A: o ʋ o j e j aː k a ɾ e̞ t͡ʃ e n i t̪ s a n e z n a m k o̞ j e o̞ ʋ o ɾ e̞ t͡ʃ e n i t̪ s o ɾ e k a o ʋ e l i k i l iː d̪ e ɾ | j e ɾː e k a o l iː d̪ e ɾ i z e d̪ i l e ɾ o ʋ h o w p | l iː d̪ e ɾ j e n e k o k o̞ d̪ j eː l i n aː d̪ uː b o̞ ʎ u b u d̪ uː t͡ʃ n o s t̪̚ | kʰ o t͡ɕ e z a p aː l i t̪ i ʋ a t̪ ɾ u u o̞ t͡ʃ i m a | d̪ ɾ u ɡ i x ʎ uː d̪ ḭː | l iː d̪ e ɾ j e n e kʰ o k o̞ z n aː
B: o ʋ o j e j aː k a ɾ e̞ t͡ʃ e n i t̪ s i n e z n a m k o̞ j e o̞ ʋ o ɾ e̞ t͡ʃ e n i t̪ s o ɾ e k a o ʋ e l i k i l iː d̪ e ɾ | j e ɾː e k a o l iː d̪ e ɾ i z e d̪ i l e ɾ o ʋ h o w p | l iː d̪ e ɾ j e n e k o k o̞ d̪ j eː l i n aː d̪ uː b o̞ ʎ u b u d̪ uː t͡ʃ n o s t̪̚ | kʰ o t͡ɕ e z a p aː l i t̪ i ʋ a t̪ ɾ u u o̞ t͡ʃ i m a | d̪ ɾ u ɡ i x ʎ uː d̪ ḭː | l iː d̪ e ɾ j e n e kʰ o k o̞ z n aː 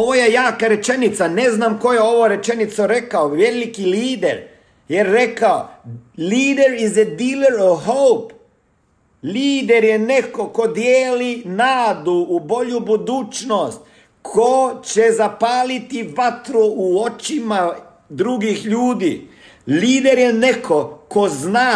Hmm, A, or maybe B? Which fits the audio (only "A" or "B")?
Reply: A